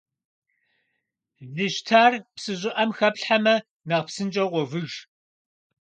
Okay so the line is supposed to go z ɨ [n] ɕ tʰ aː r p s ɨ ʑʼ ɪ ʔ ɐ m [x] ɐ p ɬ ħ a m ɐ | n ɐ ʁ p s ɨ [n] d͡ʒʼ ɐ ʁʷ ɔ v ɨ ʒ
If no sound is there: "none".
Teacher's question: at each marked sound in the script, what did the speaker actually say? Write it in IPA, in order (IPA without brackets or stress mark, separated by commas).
none, x, n